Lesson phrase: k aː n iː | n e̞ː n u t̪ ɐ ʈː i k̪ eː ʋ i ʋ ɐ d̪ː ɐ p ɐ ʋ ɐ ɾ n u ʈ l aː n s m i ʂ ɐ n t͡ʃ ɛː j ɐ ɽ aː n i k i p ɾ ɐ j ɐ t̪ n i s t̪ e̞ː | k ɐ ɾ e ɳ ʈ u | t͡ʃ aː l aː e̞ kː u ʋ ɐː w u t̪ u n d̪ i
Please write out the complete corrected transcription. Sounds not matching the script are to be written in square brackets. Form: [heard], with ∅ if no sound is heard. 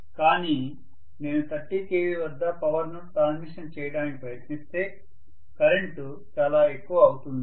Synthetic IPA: k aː n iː | n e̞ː n u t̪ ɐ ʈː i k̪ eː ʋ i ʋ ɐ d̪ː ɐ p ɐ ʋ ɐ ɾ n u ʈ [ɾ] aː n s m i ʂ ɐ n t͡ʃ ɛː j ɐ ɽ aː n i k i p ɾ ɐ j ɐ t̪ n i s t̪ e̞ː | k ɐ ɾ e ɳ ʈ u | t͡ʃ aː l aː e̞ kː u ʋ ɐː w u t̪ u n d̪ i